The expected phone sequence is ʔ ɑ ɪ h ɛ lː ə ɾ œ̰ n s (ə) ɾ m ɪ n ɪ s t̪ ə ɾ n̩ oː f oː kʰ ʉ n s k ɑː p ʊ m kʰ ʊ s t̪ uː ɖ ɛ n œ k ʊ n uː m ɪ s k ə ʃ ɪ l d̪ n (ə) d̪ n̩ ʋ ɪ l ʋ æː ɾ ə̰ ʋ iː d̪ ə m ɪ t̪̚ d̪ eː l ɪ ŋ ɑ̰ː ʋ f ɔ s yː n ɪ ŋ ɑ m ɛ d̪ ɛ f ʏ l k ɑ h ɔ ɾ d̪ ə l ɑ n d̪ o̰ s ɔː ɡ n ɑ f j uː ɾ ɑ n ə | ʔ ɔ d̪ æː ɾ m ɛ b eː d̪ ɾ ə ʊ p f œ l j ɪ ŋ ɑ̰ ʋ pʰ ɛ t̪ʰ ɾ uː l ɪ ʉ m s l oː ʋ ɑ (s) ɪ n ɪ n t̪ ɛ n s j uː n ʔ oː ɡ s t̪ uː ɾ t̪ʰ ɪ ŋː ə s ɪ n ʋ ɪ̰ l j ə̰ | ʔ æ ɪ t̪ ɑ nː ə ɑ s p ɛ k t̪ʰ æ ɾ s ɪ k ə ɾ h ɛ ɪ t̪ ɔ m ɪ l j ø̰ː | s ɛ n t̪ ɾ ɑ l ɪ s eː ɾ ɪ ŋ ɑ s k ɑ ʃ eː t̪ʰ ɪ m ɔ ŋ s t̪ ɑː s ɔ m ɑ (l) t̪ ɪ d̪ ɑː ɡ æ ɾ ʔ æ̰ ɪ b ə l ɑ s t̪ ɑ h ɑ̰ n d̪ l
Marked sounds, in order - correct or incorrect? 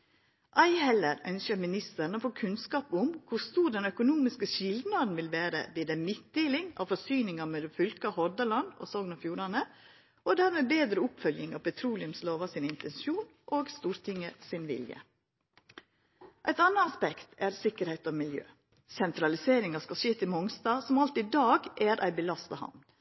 correct, incorrect, correct, correct

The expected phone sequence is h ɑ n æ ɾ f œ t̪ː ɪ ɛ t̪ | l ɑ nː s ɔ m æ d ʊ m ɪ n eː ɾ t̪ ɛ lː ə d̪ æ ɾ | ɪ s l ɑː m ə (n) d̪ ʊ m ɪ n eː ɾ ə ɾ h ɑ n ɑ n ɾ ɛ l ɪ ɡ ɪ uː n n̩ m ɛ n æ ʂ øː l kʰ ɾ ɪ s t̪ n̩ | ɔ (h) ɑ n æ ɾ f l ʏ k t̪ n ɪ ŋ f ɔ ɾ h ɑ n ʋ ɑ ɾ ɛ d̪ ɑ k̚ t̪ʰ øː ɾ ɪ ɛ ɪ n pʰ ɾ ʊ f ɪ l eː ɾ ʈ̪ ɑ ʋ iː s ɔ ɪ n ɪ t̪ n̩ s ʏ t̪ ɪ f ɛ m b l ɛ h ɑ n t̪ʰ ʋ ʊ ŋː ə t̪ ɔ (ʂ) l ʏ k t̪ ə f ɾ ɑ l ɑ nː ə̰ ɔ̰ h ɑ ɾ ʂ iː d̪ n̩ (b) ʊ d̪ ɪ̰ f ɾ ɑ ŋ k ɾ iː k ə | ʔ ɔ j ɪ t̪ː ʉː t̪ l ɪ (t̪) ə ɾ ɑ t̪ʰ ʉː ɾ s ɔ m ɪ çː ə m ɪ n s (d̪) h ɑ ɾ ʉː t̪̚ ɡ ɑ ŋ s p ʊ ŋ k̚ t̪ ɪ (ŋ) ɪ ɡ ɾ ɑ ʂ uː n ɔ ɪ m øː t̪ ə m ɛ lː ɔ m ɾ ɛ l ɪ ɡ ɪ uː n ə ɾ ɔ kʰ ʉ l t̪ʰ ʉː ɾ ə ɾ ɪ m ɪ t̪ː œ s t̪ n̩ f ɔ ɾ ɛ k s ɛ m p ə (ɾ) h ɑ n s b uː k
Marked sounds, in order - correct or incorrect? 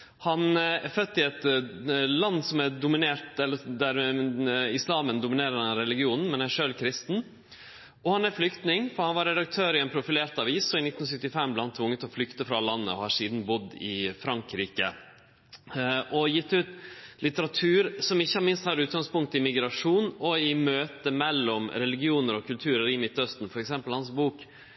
correct, correct, incorrect, correct, correct, incorrect, incorrect, incorrect

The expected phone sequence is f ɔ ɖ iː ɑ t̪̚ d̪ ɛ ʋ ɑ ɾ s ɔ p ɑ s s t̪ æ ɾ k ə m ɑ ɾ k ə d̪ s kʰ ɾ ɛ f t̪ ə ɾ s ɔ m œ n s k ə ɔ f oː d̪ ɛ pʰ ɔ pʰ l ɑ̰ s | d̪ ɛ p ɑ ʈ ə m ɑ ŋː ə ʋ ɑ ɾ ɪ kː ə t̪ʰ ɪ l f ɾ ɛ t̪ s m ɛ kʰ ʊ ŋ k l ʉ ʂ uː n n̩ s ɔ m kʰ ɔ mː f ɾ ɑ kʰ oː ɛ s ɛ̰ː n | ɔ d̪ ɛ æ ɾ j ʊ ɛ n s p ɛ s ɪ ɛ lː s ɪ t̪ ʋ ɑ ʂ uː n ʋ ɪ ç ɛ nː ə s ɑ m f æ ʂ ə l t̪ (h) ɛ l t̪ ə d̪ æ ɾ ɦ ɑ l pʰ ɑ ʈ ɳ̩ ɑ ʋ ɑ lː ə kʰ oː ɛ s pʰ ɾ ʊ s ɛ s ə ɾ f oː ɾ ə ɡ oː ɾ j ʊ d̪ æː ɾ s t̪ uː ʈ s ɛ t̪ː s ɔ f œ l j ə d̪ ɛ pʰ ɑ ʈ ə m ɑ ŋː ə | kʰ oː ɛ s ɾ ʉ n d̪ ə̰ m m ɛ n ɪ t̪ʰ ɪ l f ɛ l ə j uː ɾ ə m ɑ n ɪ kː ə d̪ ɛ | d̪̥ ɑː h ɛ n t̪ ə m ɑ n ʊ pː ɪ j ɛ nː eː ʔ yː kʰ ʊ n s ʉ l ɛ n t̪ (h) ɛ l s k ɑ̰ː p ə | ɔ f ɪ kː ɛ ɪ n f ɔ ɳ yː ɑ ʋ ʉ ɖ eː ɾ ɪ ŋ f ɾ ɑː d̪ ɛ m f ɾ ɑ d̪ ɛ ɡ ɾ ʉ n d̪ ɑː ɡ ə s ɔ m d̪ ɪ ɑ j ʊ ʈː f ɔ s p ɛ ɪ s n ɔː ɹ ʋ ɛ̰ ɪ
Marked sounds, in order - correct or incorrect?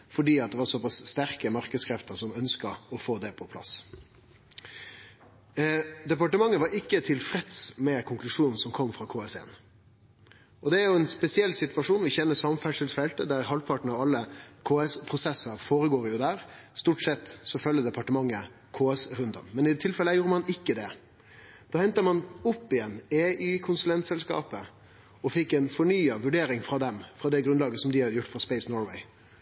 incorrect, incorrect

